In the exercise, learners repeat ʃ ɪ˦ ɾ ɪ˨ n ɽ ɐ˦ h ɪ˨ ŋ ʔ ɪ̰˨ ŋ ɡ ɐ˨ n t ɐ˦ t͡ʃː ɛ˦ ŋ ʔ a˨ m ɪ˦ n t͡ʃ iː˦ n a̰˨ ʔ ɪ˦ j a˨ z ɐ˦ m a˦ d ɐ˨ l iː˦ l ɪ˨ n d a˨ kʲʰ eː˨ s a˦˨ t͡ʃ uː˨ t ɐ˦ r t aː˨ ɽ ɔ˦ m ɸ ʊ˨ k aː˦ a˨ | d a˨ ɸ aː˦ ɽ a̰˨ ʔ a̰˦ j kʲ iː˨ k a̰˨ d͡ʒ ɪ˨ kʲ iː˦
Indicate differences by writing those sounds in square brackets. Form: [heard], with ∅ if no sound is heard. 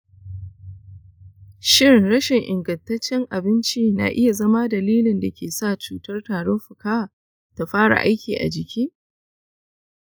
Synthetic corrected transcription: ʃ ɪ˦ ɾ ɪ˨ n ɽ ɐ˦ [ʃ] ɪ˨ ŋ ʔ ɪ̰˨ ŋ ɡ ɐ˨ n t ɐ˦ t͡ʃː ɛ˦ ŋ ʔ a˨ [b] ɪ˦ n t͡ʃ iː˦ n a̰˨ ʔ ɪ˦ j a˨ z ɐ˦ m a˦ d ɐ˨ l iː˦ l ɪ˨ n d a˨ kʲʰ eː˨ s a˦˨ t͡ʃ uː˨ t ɐ˦ r t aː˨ ɽ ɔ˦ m ɸ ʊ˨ k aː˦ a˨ | [t] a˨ ɸ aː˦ ɽ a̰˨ ʔ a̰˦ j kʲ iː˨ [ʔ] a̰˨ d͡ʒ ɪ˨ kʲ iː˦